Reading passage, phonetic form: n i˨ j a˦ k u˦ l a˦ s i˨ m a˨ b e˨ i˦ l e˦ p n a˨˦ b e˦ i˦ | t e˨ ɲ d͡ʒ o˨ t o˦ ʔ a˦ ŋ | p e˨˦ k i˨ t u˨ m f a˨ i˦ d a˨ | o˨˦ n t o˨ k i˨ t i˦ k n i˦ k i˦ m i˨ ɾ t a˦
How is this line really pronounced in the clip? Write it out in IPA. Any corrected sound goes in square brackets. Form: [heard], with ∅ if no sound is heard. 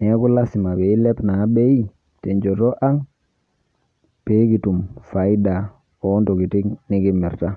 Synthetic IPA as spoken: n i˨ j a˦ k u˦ l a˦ s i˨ m a˨ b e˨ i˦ l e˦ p n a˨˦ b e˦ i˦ | t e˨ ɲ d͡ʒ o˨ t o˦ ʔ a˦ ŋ | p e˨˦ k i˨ t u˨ m f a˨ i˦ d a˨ | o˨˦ n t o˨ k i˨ t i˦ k n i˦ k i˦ m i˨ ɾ t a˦